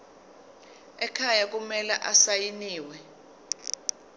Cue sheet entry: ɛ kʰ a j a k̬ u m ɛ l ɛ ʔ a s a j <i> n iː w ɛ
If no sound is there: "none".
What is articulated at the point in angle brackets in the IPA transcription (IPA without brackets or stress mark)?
i